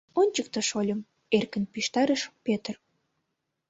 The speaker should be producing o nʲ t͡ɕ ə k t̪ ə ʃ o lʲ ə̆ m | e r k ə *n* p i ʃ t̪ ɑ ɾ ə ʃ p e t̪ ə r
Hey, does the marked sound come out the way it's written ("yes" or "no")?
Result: yes